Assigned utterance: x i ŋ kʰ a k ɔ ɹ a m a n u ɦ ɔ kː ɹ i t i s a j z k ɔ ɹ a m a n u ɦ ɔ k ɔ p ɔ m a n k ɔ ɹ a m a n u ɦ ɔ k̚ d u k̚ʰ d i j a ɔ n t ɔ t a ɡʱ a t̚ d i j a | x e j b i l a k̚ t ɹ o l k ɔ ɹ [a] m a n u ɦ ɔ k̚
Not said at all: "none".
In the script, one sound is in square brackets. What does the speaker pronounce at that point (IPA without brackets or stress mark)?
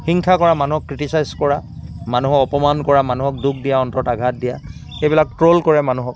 ɛ